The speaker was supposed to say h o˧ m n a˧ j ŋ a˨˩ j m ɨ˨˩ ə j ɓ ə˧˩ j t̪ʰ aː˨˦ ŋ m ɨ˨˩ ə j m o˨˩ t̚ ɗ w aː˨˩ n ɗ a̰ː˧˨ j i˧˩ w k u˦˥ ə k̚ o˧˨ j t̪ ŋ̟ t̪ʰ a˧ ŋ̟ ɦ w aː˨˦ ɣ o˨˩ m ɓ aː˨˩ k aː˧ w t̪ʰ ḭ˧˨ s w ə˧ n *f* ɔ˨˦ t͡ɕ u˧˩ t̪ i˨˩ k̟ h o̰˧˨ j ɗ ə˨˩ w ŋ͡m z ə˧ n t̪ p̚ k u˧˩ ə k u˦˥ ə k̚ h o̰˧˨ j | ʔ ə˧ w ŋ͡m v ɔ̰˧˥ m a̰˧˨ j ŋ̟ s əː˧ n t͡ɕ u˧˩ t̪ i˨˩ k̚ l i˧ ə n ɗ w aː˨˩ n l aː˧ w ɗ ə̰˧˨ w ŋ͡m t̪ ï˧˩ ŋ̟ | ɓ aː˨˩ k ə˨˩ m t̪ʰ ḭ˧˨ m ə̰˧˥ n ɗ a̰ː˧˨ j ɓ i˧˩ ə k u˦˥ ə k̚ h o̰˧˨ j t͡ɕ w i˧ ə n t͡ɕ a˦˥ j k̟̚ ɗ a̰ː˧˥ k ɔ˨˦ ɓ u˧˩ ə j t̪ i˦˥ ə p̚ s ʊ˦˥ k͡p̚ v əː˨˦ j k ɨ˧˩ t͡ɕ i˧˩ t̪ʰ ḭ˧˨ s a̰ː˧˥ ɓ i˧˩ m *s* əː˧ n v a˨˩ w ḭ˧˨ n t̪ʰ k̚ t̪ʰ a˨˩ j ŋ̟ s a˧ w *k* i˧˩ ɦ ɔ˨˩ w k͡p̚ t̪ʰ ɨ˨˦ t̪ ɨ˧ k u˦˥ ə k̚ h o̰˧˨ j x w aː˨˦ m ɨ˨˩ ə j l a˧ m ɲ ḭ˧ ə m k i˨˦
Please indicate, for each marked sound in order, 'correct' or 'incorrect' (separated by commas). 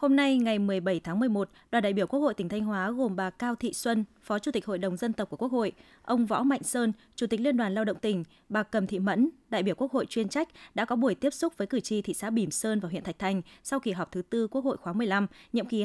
correct, correct, correct